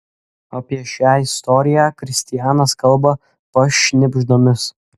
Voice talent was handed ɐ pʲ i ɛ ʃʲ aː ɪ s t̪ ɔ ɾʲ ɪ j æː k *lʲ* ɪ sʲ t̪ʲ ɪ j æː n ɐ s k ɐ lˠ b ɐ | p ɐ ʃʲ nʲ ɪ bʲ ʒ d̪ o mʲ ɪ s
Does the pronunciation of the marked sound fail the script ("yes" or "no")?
yes